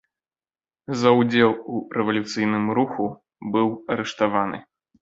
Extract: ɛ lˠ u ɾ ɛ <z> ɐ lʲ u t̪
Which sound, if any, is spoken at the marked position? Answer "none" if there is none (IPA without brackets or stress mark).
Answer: v